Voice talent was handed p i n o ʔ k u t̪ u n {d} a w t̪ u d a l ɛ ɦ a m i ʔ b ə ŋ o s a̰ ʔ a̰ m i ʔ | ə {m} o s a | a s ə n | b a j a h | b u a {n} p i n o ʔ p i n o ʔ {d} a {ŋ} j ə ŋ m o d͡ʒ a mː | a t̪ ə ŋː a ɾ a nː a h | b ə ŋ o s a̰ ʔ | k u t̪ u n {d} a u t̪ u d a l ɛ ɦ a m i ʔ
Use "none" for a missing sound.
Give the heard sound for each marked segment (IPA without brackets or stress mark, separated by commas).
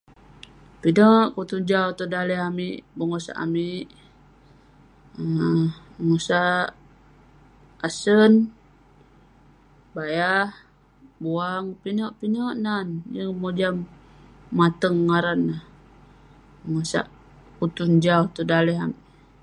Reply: d͡ʒ, ŋ, ŋ, n, n, d͡ʒ